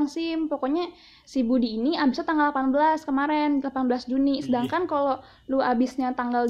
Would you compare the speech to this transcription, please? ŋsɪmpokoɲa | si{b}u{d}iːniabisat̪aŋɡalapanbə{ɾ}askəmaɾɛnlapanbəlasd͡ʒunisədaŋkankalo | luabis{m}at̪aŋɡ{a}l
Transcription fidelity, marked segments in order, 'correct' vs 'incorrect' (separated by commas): correct, correct, incorrect, incorrect, correct